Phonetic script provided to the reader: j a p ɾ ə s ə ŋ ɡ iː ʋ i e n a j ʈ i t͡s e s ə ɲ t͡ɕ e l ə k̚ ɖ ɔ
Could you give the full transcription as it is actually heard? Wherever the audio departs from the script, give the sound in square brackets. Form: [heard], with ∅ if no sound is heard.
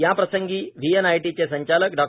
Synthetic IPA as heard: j a p ɾ ə s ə ŋ ɡ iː ʋ i e n a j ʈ i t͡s e s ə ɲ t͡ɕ [a] l ə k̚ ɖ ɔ